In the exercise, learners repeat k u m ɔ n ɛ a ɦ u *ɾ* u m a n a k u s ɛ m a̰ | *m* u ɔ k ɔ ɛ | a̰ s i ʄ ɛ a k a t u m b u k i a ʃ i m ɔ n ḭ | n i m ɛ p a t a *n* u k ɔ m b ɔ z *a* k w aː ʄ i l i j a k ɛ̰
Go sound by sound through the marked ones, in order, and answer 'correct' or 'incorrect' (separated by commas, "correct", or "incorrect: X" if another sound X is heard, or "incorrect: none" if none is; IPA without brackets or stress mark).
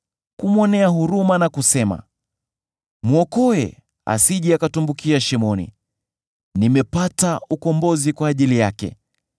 correct, correct, incorrect: none, incorrect: i